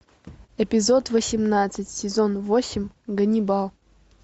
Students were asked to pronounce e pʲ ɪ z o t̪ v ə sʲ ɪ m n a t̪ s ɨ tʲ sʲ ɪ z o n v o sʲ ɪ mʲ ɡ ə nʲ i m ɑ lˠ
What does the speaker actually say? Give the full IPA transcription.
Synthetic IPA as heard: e pʲ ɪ z o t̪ v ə sʲ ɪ m n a t̪ s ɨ tʲ sʲ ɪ z o n v o sʲ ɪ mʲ ɡ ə nʲ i b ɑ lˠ